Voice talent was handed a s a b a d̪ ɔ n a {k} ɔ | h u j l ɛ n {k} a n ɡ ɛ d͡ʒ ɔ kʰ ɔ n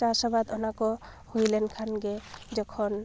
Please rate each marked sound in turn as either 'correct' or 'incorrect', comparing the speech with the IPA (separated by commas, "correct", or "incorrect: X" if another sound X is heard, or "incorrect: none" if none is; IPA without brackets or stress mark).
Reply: correct, incorrect: kʰ